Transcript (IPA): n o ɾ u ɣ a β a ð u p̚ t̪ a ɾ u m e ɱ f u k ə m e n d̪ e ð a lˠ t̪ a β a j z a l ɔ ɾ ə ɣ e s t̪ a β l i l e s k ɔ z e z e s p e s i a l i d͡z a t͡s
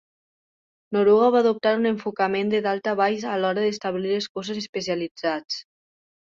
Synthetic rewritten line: n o ɾ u ɣ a β a ð u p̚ t̪ a ɾ u n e ɱ f u k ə m e n d̪ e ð a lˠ t̪ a β a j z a l ɔ ɾ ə ð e s t̪ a β l i l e s k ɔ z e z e s p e s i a l i d͡z a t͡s